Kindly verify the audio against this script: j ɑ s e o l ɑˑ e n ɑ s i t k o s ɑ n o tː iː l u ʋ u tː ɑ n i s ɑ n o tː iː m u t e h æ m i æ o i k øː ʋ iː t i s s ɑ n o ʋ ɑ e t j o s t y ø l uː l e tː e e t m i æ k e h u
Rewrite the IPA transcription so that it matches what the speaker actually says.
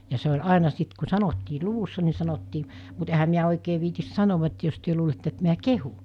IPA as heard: j ɑ s e o l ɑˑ e n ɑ s i t k u s ɑ n o tː iː l u ʋ u sː ɑ n i s ɑ n o tː iː m u t e h æ m i æ o i k eː ʋ iː t i s s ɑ n o ʋ ɑ e t j o s t y ø l uː l e tː e e t m i æ k e h u